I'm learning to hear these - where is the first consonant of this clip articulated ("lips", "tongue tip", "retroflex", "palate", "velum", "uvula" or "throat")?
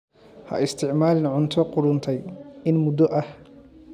throat